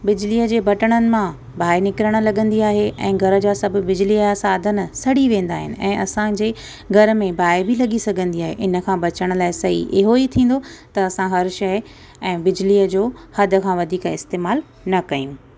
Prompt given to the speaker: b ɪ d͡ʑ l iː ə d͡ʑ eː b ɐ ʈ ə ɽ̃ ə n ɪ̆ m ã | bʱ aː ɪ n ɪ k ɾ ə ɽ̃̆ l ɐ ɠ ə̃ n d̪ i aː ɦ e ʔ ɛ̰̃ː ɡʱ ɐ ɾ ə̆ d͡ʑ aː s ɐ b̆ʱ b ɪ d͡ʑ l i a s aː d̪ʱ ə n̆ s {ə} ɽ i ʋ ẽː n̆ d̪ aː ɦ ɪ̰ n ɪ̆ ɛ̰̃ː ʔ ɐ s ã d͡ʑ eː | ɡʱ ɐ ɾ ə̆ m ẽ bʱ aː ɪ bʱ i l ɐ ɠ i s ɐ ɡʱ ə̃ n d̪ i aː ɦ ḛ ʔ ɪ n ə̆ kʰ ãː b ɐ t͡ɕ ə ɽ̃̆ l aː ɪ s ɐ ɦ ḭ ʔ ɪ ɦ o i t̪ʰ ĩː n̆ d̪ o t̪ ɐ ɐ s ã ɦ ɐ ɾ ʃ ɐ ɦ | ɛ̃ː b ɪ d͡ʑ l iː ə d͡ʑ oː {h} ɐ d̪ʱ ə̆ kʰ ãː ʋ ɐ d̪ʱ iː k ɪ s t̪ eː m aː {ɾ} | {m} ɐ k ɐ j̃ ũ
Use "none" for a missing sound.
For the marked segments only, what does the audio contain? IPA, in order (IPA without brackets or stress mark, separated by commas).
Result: ɐ, h, l, n